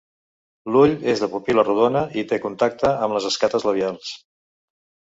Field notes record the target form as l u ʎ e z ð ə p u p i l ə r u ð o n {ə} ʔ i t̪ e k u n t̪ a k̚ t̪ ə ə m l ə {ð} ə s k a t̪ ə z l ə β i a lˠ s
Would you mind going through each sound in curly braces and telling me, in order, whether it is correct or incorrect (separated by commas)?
correct, incorrect